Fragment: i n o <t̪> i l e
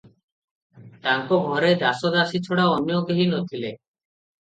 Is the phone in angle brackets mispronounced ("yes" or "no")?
yes